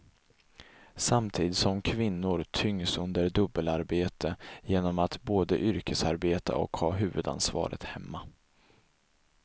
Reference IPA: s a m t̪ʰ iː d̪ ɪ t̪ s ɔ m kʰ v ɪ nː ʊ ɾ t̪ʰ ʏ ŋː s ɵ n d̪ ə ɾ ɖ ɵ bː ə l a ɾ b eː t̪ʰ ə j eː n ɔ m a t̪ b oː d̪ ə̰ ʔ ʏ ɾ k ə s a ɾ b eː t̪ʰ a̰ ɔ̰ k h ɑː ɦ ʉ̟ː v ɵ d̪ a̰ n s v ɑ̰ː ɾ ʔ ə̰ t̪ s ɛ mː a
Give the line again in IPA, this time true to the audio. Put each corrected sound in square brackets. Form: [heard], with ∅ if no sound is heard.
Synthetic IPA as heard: s a m t̪ʰ iː d̪ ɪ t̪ s ɔ m kʰ v ɪ nː ʊ ɾ t̪ʰ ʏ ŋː s ɵ n d̪ ə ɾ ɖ ɵ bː ə l a ɾ b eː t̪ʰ ə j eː n ɔ m a t̪ b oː d̪ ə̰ ʔ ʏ ɾ k ə s a ɾ b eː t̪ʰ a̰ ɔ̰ k h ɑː ɦ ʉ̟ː v ɵ d̪ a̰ n s v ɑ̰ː ɾ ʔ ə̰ t̪ [h] ɛ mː a